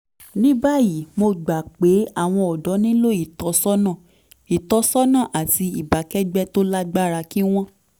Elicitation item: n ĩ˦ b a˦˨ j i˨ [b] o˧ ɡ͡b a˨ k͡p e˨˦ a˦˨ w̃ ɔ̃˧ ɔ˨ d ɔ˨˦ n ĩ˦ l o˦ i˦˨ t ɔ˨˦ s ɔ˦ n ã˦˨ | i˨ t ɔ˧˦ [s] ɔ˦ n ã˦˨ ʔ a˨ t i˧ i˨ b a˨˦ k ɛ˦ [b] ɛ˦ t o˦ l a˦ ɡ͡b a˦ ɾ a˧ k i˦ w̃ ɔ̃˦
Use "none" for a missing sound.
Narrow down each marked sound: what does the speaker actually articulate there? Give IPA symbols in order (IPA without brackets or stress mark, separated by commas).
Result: m, s, ɡ͡b